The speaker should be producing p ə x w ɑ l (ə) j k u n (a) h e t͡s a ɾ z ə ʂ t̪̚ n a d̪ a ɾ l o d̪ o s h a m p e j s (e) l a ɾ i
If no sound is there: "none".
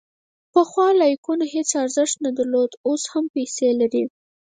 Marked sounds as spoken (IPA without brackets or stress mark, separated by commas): ɑ, a, e